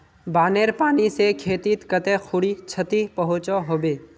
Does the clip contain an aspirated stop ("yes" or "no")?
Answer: yes